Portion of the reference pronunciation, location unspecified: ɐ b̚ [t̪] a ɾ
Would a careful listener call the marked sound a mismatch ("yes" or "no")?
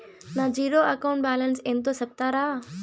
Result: no